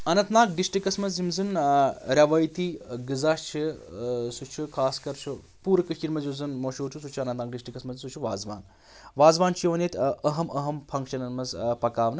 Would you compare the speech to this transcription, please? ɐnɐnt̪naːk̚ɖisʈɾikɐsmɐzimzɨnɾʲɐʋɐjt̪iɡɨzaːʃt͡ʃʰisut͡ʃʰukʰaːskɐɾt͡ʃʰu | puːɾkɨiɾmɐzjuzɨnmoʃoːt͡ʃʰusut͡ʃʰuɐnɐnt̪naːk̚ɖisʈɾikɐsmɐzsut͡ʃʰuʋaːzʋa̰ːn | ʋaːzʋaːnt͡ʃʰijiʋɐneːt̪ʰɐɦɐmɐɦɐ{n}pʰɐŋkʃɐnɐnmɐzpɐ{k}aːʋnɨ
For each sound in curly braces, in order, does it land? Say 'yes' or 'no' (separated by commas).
no, yes